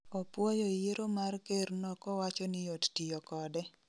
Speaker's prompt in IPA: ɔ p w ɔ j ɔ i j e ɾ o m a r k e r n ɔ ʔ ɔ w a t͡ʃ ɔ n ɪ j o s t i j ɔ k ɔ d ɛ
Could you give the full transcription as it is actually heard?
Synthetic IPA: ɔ p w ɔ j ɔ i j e ɾ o m a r k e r n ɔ k ɔ w a t͡ʃ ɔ n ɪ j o t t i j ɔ k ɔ d ɛ